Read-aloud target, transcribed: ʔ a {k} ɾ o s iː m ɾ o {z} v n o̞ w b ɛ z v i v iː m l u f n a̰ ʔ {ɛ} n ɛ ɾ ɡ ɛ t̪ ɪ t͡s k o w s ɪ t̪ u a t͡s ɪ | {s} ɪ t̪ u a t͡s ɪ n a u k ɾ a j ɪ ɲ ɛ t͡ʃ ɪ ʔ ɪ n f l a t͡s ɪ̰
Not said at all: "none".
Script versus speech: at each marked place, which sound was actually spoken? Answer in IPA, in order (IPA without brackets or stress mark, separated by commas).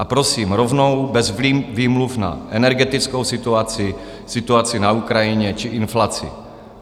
p, none, ɛ, s